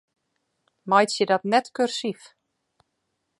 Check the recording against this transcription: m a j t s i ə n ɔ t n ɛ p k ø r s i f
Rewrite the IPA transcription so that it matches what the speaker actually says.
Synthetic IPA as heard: m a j t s j ə d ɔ t n ɛ t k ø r s i f

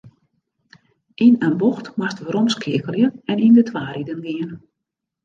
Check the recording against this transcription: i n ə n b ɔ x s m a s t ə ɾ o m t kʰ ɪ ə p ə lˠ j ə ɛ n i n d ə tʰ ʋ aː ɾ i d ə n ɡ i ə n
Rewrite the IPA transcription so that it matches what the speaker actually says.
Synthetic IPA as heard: i n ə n b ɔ x t m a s t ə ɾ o m s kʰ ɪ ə k ə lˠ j ə ɛ n i n d ə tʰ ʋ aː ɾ i d ə n ɡ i ə n

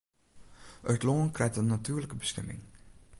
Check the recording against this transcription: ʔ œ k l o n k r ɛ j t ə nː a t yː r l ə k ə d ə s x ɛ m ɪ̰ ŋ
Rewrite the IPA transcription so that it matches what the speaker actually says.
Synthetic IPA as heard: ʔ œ t l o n k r ɛ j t ə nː a t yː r l ə k ə b ə s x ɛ m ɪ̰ ŋ

